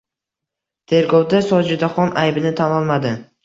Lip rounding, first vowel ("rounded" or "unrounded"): unrounded